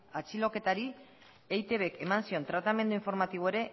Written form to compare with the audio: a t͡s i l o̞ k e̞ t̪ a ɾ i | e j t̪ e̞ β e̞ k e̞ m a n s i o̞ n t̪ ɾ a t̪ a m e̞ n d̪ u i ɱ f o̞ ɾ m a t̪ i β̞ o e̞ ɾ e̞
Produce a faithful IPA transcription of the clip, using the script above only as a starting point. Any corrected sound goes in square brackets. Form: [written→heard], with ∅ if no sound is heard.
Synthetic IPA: a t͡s i l o̞ k e̞ t̪ a ɾ i | e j t̪ e̞ β e̞ k e̞ m a n s i o̞ n t̪ ɾ a t̪ a m e̞ n d̪ u i ɱ f o̞ ɾ m a t̪ i β̞ o e̞ ɾ e̞